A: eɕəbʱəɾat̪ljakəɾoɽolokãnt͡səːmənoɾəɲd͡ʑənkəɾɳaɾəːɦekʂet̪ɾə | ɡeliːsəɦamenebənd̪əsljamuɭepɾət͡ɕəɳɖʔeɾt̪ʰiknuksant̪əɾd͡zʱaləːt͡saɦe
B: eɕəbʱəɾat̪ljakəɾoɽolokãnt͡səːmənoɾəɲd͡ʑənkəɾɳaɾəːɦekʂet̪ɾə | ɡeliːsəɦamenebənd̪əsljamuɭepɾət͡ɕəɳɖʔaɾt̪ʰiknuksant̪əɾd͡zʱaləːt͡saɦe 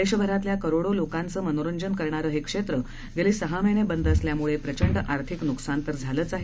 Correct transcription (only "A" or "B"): B